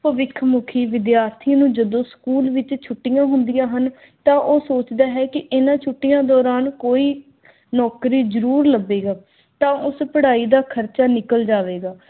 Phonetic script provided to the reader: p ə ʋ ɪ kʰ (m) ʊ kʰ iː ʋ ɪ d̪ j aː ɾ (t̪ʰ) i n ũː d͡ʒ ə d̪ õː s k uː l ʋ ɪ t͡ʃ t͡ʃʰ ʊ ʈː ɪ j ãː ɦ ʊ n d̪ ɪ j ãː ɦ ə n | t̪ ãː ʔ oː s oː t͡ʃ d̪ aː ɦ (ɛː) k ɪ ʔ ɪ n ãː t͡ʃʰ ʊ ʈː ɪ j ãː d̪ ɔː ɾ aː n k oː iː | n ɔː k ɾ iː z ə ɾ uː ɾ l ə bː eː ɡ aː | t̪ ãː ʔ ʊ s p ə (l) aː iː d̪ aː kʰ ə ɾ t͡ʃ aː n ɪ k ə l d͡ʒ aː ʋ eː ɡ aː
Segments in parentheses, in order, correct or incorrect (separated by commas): correct, correct, correct, incorrect